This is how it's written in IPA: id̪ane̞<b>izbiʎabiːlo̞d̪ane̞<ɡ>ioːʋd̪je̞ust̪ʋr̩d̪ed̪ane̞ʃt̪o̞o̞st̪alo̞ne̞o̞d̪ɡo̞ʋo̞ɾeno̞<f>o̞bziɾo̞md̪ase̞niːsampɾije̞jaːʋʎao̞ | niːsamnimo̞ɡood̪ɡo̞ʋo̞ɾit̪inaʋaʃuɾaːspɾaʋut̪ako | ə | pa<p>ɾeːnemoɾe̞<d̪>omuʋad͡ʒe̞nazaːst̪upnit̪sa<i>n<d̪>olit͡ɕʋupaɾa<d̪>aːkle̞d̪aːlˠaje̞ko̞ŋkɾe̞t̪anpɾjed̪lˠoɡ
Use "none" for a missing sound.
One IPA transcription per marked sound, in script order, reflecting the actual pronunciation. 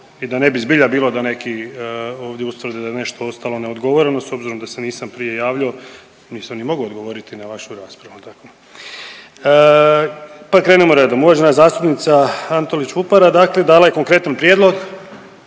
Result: b, k, s, k, d̪, a, t̪, d̪

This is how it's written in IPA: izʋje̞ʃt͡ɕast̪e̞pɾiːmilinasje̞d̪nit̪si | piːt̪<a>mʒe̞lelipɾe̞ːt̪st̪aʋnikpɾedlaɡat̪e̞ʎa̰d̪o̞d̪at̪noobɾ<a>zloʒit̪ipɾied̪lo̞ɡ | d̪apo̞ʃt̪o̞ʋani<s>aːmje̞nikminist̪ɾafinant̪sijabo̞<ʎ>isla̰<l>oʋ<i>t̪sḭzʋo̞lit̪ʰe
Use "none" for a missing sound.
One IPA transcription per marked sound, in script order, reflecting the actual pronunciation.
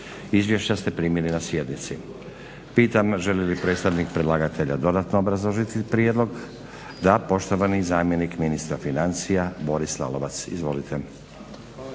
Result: a, a, z, ɾ, l, a

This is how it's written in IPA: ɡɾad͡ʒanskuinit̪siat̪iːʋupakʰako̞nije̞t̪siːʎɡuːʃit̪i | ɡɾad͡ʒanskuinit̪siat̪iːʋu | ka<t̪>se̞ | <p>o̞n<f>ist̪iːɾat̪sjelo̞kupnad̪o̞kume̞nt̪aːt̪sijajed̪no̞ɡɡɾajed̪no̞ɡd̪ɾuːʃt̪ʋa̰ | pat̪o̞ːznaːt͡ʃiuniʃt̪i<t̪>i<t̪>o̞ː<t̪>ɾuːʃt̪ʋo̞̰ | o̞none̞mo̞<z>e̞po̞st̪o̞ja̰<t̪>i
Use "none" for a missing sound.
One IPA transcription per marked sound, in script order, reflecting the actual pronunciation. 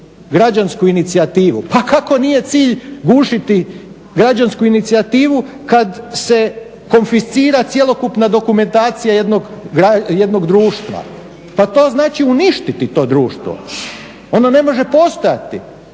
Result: d̪, k, f, t̪, t̪, d̪, ʒ, t̪

